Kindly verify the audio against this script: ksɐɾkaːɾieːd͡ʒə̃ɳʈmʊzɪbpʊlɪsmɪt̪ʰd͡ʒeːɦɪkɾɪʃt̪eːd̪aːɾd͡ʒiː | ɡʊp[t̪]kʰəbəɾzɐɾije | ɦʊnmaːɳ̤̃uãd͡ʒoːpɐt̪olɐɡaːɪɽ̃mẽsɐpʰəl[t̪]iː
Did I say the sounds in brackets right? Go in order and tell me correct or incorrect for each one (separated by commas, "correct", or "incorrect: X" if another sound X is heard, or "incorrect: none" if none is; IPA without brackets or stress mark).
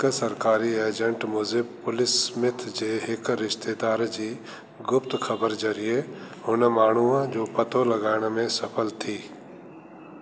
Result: correct, incorrect: t̪ʰ